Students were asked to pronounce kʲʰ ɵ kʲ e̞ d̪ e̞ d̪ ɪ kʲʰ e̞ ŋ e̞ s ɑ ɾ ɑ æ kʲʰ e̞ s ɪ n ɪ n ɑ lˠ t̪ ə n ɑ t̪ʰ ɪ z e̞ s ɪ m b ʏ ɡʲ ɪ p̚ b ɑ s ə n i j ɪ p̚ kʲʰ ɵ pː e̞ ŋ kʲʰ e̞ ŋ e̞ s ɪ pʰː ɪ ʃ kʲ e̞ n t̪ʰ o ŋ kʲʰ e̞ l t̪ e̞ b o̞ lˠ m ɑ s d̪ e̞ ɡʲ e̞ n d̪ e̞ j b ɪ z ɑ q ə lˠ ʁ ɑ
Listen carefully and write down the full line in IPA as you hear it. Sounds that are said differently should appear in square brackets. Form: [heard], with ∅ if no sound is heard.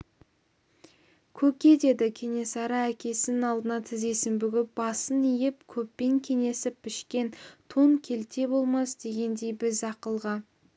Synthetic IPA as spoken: kʲʰ ɵ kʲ e̞ d̪ e̞ d̪ ɪ kʲʰ e̞ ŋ e̞ s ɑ ɾ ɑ æ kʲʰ e̞ s ɪ n ɪ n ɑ lˠ [d̪] ə n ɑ t̪ʰ ɪ z e̞ s ɪ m b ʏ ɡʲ ɪ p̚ b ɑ s ə n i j ɪ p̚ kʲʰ ɵ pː e̞ ŋ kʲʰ e̞ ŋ e̞ s ɪ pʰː ɪ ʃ kʲ e̞ n t̪ʰ o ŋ kʲʰ e̞ l t̪ e̞ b o̞ lˠ m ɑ s d̪ e̞ ɡʲ e̞ n d̪ e̞ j b ɪ z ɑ q ə lˠ ʁ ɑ